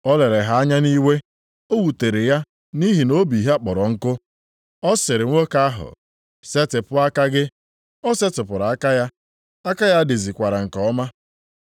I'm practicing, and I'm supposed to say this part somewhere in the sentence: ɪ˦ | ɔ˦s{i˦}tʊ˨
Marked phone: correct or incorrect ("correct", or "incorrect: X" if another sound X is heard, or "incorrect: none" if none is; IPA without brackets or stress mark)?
incorrect: e˦